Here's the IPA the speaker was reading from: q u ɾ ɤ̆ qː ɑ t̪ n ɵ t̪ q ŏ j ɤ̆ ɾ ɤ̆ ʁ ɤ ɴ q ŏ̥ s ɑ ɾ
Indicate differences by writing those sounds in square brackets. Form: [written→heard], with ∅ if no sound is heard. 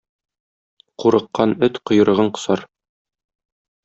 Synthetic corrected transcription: q u ɾ ɤ̆ qː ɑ [t̪→∅] n ɵ t̪ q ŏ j ɤ̆ ɾ ɤ̆ ʁ ɤ ɴ q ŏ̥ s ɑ ɾ